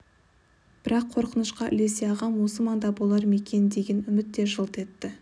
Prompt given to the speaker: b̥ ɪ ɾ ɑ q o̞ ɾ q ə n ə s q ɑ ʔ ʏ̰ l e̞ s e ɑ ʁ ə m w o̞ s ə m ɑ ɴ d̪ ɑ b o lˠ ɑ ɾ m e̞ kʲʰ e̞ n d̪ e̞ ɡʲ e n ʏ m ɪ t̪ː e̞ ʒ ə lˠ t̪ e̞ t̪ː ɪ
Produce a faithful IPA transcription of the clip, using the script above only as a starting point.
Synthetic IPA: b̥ ɪ ɾ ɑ qʰ o̞ ɾ q ə n ə ʃ q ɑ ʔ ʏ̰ l e̞ s e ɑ ʁ ɑ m w o̞ s ə m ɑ n d̪ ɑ b o lˠ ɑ ɾ m e̞ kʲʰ e̞ n d̪ e̞ ɡʲ e n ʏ m ɪ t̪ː e̞ ʒ ə lˠ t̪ e̞ t̪ː ɪ